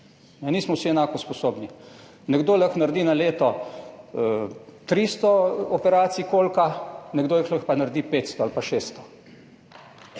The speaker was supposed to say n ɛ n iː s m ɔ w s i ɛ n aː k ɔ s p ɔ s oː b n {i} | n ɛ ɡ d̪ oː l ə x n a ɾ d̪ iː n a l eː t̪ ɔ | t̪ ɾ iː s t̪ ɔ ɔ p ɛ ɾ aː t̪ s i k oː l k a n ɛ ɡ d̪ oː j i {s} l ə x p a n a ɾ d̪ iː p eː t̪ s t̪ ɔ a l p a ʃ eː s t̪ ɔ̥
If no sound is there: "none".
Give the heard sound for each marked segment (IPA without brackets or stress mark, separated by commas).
i, x